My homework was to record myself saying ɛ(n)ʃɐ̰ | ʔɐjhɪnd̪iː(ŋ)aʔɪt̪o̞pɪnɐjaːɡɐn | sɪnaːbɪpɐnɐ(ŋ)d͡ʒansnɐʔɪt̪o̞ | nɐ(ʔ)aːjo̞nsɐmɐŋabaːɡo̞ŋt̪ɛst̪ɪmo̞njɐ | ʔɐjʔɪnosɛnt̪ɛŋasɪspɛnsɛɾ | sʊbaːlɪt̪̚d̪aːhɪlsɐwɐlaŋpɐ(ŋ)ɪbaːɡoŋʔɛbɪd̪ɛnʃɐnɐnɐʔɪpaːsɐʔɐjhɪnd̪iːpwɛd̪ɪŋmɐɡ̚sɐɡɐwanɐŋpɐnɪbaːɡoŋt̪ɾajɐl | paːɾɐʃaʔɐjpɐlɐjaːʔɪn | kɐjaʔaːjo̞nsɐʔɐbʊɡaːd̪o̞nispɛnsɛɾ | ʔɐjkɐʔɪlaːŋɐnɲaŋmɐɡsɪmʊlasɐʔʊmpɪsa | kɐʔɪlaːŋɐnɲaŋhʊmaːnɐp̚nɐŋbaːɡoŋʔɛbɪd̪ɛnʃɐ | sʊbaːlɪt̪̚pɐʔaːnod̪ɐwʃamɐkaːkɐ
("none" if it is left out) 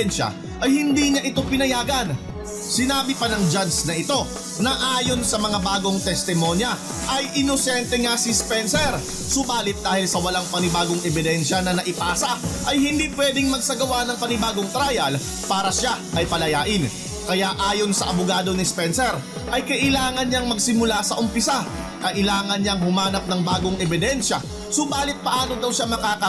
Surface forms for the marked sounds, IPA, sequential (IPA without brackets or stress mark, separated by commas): n, ɲ, ŋ, ʔ, n